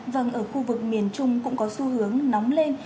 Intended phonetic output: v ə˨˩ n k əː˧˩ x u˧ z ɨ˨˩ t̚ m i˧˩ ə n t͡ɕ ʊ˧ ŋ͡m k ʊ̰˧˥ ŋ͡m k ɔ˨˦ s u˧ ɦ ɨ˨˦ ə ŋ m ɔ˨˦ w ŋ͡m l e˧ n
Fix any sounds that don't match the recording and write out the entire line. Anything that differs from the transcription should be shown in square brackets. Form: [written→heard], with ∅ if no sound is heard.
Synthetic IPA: v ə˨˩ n [k→ʔ] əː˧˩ x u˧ [z→v] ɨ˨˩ [t̚→k̚] m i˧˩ ə n t͡ɕ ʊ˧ ŋ͡m k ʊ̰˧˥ ŋ͡m k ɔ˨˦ s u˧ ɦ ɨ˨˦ ə ŋ [m→n] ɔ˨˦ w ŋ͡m l e˧ n